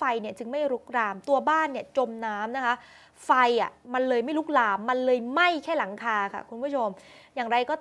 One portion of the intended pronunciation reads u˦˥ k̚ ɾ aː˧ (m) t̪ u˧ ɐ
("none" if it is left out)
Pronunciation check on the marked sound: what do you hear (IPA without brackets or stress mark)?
m